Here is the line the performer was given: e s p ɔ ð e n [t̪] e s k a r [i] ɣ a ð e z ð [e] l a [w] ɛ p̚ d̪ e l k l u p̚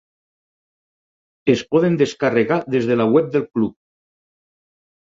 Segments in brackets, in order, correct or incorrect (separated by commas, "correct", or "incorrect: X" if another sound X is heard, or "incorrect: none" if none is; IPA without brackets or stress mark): incorrect: d̪, incorrect: e, correct, correct